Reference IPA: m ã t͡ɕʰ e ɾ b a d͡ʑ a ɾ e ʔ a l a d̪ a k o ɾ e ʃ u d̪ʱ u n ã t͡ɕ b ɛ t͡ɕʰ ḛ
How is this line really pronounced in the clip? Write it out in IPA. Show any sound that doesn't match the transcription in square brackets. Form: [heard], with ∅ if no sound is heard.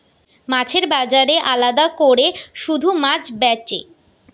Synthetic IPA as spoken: m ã t͡ɕʰ e ɾ b a d͡ʑ a ɾ e ʔ a l a d̪ a k o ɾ e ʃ u d̪ʱ u [m] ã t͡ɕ b ɛ [t͡ɕ] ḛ